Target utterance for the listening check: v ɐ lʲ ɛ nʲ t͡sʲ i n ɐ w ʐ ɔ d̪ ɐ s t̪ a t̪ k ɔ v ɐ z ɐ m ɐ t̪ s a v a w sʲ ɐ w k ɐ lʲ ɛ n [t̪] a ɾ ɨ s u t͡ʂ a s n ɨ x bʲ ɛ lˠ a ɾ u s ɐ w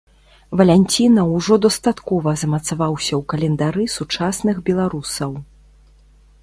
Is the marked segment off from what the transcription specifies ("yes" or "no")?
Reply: yes